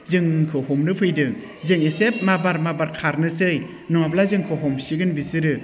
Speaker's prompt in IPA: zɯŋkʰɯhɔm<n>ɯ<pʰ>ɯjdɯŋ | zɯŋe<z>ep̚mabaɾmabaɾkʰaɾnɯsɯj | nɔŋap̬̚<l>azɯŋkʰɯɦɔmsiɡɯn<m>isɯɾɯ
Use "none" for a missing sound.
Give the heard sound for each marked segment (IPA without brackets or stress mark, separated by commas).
n, pʰ, s, l, b